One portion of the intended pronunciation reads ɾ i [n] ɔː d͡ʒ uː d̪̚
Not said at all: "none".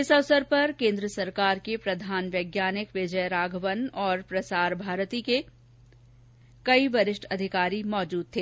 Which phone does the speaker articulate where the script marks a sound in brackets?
m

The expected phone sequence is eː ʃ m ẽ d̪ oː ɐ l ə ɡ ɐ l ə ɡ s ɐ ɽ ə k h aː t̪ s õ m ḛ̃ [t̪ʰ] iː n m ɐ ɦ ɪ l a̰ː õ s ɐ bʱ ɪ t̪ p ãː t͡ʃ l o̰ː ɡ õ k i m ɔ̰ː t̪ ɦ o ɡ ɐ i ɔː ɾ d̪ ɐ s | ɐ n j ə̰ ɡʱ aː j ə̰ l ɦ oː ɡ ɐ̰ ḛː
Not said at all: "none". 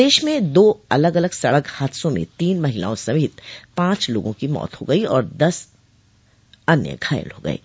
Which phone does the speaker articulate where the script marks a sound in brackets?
t̪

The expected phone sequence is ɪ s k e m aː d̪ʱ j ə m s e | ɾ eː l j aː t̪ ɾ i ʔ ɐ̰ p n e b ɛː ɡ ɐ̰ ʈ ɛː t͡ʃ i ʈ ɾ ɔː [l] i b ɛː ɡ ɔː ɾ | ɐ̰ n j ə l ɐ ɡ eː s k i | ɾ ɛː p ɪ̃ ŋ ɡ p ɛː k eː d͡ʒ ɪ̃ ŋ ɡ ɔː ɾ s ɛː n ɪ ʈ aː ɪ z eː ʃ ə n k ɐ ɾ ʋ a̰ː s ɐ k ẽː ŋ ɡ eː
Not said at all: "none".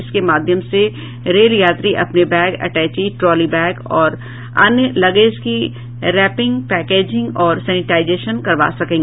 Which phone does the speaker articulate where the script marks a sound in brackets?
l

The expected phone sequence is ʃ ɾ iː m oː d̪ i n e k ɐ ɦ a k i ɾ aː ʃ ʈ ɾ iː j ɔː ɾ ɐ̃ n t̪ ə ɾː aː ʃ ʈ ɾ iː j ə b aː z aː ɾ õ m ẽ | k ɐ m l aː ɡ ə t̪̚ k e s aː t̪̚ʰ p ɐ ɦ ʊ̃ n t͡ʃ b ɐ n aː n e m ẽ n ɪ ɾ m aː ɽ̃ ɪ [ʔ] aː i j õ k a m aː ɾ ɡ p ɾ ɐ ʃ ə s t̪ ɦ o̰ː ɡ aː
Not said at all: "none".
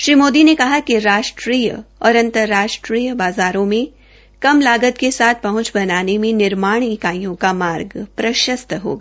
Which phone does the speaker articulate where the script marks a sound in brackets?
k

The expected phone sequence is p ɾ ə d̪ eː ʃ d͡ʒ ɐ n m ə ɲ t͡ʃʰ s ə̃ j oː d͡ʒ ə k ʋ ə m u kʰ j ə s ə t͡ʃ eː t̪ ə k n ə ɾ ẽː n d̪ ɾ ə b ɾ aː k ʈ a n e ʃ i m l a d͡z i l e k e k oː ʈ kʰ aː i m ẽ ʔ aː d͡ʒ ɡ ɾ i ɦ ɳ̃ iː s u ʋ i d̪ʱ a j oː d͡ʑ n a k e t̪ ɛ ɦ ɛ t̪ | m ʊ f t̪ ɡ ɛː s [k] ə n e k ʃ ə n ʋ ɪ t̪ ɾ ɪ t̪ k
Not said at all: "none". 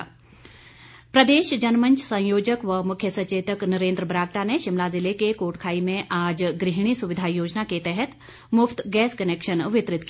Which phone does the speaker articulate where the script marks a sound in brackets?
k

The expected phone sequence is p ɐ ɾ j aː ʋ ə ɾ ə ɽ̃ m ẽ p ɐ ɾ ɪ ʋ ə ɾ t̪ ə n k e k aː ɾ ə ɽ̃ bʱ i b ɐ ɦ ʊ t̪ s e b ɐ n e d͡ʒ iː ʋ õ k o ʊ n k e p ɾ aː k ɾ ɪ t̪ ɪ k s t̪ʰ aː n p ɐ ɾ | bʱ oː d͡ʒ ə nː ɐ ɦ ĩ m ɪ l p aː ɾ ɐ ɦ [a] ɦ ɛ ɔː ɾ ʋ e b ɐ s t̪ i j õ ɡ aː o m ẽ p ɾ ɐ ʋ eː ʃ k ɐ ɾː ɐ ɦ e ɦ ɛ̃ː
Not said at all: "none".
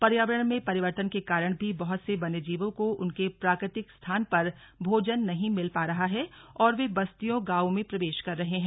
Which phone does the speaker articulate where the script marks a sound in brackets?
a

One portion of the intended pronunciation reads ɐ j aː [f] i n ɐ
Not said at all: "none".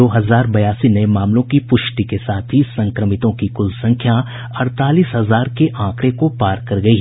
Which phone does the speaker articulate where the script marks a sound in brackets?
s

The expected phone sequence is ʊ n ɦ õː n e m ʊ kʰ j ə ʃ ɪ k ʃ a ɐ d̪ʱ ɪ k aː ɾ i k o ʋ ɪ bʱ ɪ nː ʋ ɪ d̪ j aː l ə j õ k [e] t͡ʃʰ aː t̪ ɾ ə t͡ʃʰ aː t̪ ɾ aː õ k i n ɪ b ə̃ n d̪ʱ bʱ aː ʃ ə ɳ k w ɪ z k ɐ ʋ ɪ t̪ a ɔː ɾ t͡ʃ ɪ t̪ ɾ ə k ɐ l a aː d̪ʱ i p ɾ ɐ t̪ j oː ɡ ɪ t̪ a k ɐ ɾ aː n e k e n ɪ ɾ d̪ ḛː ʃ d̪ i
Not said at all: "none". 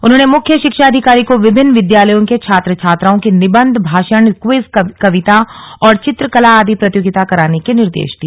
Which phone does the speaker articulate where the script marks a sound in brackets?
e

